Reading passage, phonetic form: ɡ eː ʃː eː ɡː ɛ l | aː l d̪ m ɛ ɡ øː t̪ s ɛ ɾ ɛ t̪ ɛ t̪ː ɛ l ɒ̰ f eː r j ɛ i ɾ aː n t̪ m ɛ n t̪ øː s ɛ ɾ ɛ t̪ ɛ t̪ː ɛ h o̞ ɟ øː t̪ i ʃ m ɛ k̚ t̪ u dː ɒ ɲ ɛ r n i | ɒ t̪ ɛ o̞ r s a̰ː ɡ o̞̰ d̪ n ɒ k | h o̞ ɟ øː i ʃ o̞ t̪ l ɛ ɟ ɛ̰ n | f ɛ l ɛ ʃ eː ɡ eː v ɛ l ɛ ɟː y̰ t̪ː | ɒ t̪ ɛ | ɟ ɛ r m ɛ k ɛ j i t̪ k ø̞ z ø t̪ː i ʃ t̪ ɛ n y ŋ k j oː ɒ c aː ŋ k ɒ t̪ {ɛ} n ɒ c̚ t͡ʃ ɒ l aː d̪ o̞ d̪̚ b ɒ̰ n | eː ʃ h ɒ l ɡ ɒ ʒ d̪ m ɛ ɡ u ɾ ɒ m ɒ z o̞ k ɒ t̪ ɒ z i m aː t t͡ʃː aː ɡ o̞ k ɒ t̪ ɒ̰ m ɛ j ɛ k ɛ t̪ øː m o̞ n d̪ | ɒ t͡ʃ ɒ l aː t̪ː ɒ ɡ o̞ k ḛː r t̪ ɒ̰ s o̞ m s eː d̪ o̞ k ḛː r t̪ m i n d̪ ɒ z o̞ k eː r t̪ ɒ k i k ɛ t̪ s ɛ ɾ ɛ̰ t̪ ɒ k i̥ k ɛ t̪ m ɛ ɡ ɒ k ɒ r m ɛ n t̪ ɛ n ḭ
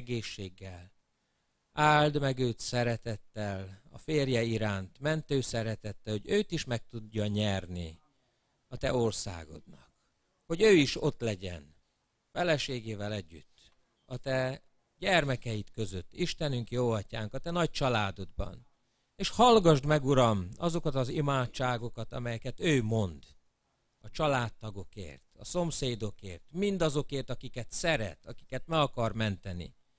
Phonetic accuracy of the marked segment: correct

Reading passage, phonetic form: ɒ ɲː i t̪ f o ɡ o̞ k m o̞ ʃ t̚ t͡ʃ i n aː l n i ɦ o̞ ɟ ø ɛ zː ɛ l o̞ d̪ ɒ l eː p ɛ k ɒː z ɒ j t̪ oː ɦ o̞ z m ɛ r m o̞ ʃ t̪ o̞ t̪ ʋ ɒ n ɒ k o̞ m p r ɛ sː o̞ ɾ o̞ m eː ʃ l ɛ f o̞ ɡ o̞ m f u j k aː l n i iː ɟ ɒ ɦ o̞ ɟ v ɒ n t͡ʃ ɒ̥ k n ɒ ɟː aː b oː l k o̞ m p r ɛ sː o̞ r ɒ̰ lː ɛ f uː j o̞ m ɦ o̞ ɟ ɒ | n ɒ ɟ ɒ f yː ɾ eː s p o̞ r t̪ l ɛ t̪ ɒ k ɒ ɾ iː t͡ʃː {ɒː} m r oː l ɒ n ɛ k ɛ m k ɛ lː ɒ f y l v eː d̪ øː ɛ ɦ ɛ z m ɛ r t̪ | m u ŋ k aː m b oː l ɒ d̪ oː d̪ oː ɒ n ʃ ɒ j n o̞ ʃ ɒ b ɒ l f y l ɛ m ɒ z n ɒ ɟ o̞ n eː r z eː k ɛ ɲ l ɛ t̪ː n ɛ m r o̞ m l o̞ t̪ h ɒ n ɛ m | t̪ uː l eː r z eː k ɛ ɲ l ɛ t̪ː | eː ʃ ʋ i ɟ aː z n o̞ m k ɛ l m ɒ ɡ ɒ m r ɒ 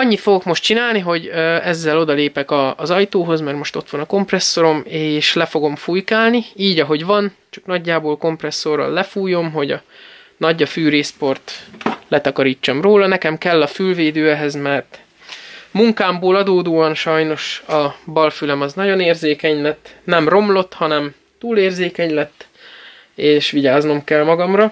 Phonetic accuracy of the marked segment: incorrect: ɒ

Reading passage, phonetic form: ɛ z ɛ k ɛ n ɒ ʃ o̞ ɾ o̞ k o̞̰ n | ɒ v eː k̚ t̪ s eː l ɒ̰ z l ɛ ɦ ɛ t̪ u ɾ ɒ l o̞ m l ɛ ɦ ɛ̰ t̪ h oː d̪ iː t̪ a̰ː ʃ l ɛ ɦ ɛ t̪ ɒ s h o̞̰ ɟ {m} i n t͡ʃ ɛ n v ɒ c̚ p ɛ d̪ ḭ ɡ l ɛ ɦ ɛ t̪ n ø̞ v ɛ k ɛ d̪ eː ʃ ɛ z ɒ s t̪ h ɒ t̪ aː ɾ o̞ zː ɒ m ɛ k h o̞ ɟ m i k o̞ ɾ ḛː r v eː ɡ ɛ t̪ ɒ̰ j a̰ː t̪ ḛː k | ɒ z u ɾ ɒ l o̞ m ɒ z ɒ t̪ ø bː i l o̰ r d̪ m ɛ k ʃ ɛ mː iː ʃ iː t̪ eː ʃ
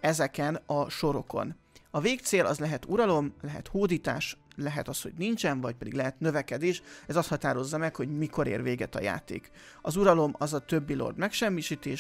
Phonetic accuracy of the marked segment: incorrect: n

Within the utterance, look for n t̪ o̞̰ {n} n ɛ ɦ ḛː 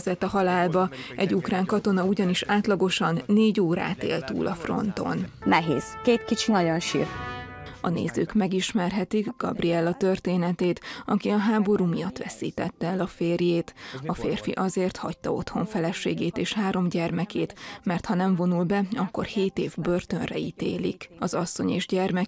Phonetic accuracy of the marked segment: correct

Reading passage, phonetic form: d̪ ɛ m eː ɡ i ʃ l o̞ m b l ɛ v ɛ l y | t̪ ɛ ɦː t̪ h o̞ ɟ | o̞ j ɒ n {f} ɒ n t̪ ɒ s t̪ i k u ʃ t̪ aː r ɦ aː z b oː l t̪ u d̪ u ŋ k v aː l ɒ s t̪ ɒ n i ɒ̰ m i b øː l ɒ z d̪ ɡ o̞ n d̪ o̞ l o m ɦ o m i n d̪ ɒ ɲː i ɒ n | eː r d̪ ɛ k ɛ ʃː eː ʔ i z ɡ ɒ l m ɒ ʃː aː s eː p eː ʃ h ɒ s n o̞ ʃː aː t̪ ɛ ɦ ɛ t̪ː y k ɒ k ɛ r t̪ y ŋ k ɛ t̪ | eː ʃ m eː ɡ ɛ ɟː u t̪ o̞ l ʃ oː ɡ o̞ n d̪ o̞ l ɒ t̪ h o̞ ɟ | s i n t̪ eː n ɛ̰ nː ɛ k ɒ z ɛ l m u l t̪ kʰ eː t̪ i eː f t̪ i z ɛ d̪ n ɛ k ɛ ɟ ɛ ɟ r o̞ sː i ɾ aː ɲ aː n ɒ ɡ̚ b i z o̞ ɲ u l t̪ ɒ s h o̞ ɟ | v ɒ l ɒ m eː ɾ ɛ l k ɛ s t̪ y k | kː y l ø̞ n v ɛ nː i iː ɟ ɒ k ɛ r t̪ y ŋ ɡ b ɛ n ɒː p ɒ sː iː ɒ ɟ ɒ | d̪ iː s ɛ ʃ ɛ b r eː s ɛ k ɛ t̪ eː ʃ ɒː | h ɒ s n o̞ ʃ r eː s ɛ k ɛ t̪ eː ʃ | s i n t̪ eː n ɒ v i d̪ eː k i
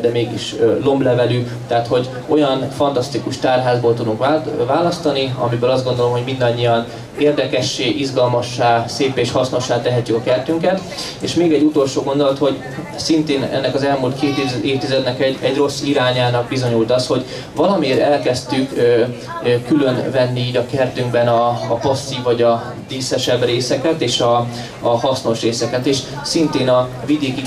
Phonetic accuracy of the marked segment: correct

